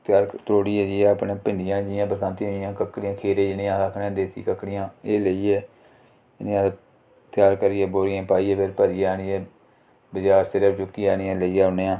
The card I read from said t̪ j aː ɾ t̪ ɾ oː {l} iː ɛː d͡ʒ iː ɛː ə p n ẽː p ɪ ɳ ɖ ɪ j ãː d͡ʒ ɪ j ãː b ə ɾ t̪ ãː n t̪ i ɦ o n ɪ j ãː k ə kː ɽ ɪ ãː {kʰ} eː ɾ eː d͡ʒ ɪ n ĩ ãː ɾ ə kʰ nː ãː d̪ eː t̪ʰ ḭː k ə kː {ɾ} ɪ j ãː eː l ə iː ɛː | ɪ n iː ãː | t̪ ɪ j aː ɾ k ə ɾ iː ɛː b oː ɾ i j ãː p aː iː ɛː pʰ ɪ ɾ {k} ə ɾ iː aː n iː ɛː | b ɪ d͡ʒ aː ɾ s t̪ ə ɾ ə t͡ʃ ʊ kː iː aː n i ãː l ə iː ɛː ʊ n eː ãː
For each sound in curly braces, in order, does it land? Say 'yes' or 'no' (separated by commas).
no, yes, no, no